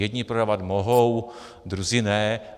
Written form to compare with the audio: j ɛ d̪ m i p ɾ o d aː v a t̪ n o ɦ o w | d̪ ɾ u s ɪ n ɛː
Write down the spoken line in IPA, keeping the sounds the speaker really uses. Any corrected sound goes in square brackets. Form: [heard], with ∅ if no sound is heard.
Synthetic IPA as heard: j ɛ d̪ [ɲ] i p ɾ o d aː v a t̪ [m] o ɦ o w | d̪ ɾ u [z] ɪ n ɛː

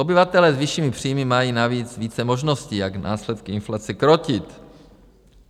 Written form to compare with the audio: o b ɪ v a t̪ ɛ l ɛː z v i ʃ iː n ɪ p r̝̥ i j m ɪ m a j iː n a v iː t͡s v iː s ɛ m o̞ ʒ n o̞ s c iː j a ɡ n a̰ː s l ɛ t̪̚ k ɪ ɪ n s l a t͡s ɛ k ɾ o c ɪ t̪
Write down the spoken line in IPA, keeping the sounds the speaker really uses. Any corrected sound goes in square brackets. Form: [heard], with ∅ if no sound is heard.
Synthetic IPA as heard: o b ɪ v a t̪ ɛ l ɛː z v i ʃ iː [m] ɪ p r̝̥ i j m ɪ m a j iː n a v iː t͡s v iː [t͡s] ɛ m o̞ ʒ n o̞ s c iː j a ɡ n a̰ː s l ɛ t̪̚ k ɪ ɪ n [f] l a t͡s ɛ k ɾ o c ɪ t̪

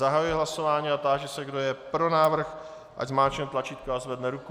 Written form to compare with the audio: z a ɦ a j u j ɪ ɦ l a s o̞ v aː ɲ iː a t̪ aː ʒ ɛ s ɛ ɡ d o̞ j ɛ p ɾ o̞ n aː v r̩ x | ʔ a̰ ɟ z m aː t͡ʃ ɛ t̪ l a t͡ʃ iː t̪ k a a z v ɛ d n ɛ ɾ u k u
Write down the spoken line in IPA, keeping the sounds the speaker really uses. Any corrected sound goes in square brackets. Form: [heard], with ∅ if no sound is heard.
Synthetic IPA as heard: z a ɦ a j u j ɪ ɦ l a s o̞ v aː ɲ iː a t̪ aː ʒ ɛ s ɛ ɡ d o̞ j ɛ p ɾ o̞ n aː v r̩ x | ʔ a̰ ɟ z m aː t͡ʃ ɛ t̪ l a t͡ʃ iː t̪ k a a z v ɛ d n ɛ ɾ u k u

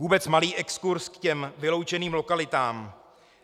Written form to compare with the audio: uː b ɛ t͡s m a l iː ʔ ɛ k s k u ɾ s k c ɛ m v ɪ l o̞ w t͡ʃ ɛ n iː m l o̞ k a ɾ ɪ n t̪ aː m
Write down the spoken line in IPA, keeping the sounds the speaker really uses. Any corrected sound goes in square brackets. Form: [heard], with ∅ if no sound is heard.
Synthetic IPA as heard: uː b ɛ t͡s m a l iː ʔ ɛ k s k u ɾ s k c ɛ m v ɪ l o̞ w t͡ʃ ɛ n iː m l o̞ k a [l] ɪ [∅] t̪ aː m

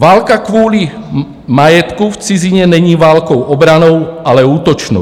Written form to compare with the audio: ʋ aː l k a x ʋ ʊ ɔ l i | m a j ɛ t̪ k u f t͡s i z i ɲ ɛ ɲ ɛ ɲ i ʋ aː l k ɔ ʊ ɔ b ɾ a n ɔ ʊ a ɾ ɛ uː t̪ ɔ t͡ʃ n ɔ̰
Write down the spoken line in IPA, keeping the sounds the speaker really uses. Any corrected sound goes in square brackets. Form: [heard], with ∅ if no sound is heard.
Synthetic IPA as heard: ʋ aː l k a [k] ʋ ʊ ɔ l i | m a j ɛ t̪ k u f t͡s i z i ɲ ɛ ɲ ɛ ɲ [iː] ʋ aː l k ɔ ʊ ɔ b ɾ a n ɔ ʊ a [l] ɛ uː t̪ ɔ t͡ʃ n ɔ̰

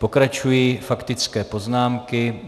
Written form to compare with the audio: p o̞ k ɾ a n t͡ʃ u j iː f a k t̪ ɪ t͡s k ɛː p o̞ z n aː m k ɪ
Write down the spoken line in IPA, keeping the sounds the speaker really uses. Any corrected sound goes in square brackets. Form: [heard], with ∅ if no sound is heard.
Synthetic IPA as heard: p o̞ k ɾ a [∅] t͡ʃ u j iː f a k t̪ ɪ t͡s k ɛː p o̞ z n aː m k ɪ

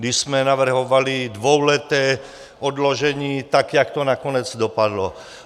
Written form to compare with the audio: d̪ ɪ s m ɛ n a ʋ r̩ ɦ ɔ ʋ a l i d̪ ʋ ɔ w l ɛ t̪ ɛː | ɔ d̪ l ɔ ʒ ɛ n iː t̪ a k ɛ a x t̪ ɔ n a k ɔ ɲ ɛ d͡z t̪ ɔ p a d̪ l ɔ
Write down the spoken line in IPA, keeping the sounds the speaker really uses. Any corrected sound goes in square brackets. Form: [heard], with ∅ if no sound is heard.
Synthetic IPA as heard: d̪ [i] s m ɛ n a ʋ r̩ ɦ ɔ ʋ a l i d̪ ʋ ɔ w l ɛ t̪ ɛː | ɔ d̪ l ɔ ʒ ɛ [ɲ] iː t̪ a k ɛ a [k] t̪ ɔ n a k ɔ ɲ ɛ d͡z [d̪] ɔ p a d̪ l ɔ

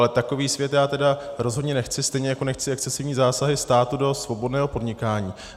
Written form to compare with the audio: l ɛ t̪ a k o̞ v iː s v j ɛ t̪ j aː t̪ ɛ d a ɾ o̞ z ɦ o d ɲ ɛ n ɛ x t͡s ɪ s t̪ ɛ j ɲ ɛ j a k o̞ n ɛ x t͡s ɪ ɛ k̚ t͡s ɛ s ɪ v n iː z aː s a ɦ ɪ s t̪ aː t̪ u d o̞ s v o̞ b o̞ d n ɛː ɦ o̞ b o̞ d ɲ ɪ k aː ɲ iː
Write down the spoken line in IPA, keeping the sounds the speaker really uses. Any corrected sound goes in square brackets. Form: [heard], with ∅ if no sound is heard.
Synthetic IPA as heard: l ɛ t̪ a k o̞ v iː s v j ɛ t̪ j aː t̪ ɛ d a ɾ o̞ z ɦ o d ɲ ɛ n ɛ x t͡s ɪ s t̪ ɛ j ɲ ɛ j a k o̞ n ɛ x t͡s ɪ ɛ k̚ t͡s ɛ s ɪ v [ɲ] iː z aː s a ɦ ɪ s t̪ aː t̪ u d o̞ s v o̞ b o̞ d n ɛː ɦ o̞ [p] o̞ d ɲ ɪ k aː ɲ iː

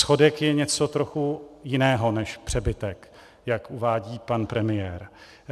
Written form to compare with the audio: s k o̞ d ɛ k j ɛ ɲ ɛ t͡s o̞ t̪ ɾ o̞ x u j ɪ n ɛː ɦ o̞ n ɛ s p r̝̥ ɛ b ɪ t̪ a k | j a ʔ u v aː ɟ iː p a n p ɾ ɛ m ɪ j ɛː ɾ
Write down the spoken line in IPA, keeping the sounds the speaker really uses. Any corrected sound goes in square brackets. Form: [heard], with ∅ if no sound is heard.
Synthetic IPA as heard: s [x] o̞ d ɛ k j ɛ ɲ ɛ t͡s o̞ t̪ ɾ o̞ x u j ɪ n ɛː ɦ o̞ n ɛ [ʃ] p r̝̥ ɛ b ɪ t̪ [ɛ] k | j a [k] u v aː ɟ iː p a n p ɾ ɛ m ɪ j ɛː ɾ

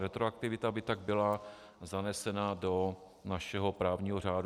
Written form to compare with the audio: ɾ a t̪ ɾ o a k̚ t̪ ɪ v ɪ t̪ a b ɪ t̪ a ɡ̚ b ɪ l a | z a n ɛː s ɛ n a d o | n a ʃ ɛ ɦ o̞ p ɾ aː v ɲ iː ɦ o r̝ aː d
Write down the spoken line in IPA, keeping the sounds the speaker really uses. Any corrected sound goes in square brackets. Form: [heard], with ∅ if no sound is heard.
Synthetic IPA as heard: ɾ [ɛ] t̪ ɾ o a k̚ t̪ ɪ v ɪ t̪ a b ɪ t̪ a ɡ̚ b ɪ l a | z a n [ɛ] s ɛ n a d o | n a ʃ ɛ ɦ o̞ p ɾ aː v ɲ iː ɦ o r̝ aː d

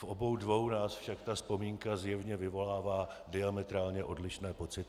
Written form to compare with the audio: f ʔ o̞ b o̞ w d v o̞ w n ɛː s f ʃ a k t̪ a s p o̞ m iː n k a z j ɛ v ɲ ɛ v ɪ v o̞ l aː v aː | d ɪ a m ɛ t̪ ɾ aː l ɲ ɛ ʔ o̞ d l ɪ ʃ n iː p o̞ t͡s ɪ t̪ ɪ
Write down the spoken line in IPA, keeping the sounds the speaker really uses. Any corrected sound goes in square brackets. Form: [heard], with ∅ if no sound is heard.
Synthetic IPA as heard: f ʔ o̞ b o̞ w d v o̞ w n [aː] s f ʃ a k t̪ a s p o̞ m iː [ŋ] k a z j ɛ v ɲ ɛ v ɪ v o̞ l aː v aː | d ɪ a m ɛ t̪ ɾ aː l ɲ ɛ ʔ o̞ d l ɪ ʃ n [ɛː] p o̞ t͡s ɪ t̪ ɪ

